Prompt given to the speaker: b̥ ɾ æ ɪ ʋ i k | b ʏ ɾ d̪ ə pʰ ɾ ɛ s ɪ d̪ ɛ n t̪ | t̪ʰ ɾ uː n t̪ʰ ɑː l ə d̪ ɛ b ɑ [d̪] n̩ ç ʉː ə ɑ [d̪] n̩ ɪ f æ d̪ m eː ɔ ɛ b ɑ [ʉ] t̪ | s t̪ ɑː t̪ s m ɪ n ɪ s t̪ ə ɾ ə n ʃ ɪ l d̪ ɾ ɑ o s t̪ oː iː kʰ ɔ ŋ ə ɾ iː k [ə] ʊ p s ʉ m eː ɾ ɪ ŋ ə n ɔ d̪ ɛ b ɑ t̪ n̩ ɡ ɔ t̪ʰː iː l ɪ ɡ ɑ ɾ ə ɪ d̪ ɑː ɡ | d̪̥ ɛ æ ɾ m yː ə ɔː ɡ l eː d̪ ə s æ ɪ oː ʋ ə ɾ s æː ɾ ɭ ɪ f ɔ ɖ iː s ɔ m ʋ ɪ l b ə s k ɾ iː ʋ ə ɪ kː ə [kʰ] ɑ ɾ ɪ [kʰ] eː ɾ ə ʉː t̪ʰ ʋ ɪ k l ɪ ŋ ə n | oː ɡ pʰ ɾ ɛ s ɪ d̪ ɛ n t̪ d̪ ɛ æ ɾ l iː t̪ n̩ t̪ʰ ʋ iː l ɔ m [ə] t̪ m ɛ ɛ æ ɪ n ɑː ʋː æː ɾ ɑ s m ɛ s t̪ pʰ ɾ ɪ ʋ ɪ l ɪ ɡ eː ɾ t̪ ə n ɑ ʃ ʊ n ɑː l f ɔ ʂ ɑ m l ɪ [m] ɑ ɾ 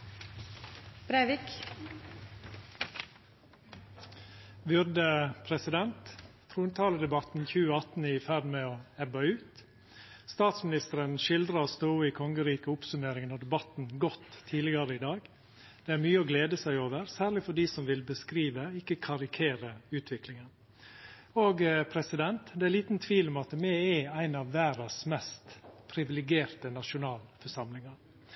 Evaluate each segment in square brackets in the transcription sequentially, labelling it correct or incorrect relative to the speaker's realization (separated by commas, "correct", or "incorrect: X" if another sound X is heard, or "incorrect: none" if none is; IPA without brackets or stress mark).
incorrect: t̪, incorrect: t̪, incorrect: ʉː, correct, correct, correct, incorrect: ɑ, incorrect: ŋ